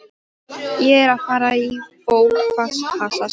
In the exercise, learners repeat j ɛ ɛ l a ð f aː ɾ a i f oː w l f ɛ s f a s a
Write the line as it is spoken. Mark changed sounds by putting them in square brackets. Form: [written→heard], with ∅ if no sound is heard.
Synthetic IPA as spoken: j ɛ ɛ [l→ɾ] a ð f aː ɾ a i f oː w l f [ɛ→a] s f a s a